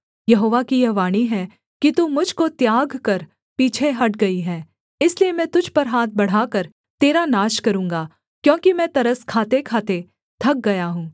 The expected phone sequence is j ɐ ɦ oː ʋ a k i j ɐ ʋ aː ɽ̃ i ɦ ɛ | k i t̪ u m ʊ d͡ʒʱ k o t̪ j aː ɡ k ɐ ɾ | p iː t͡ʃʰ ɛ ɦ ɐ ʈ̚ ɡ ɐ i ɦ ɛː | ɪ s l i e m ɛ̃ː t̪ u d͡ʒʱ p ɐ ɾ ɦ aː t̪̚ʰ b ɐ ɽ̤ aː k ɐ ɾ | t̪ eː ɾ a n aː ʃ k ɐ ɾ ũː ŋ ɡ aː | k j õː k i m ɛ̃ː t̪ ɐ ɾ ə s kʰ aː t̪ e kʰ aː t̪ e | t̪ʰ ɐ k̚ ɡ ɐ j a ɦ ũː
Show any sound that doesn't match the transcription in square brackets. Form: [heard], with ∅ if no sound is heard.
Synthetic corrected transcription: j ɐ ɦ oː ʋ a k i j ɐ ʋ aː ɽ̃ i ɦ ɛ | k i t̪ u m ʊ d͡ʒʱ k o t̪ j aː ɡ k ɐ ɾ | p iː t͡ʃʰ [e] ɦ ɐ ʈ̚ ɡ ɐ i ɦ ɛː | ɪ s l i e m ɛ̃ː t̪ [ʊ] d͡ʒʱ p ɐ ɾ ɦ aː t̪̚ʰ b ɐ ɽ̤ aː k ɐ ɾ | t̪ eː ɾ a n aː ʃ k ɐ ɾ ũː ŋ ɡ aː | k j õː k i m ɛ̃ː t̪ ɐ ɾ ə s kʰ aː t̪ e kʰ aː t̪ e | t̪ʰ ɐ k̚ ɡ ɐ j a ɦ ũː